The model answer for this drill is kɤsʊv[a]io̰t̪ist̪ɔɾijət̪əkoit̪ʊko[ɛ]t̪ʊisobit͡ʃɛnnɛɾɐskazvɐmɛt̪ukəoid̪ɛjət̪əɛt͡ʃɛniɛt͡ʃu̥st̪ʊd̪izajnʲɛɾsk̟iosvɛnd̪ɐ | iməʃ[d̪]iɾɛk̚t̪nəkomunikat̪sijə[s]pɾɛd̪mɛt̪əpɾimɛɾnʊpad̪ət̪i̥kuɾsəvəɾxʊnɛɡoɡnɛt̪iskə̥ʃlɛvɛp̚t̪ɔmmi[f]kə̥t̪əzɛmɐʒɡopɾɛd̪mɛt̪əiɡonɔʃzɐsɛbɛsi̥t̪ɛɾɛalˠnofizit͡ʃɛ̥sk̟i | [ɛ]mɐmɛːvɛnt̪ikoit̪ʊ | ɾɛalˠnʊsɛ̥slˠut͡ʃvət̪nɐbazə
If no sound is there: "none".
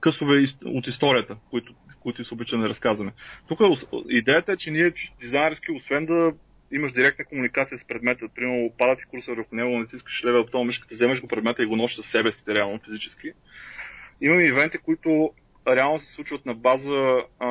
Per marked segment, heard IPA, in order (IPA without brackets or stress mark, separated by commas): ɛ, i, d̪, s, ʃ, i